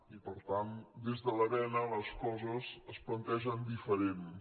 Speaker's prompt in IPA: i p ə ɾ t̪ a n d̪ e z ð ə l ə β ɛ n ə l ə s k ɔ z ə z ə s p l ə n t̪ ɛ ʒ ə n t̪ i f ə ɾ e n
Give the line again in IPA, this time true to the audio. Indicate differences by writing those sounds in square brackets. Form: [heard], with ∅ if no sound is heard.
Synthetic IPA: i p ə ɾ t̪ a n d̪ e z ð ə l ə β ɛ n ə l ə s k ɔ z ə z ə s p l ə n t̪ ɛ ʒ ə n [d̪] i f ə ɾ e n